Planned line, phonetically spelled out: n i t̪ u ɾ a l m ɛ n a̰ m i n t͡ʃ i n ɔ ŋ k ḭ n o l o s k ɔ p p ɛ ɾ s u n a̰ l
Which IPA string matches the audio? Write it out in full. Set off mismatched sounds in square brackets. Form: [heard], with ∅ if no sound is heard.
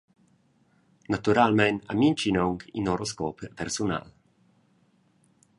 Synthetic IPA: n [a] t̪ u ɾ a l m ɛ n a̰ m i n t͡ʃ i n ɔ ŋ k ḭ n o [ɾ] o s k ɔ p p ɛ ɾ s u n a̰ l